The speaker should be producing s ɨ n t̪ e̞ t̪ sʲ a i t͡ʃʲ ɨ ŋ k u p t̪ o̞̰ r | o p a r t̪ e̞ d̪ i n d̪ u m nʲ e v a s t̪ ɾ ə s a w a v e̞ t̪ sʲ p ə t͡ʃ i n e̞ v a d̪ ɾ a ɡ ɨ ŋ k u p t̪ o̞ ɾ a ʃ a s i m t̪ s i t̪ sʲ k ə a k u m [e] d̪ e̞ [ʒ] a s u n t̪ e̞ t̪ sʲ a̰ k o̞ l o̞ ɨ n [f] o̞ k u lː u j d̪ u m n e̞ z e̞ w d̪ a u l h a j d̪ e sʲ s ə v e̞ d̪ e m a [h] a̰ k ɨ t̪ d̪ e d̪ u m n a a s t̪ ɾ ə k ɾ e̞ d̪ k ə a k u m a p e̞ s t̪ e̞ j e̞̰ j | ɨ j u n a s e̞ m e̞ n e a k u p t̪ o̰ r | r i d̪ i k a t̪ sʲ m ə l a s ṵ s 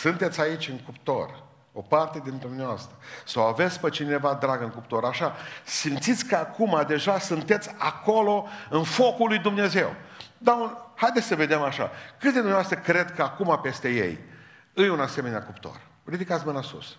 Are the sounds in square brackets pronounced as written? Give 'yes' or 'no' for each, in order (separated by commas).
no, yes, yes, no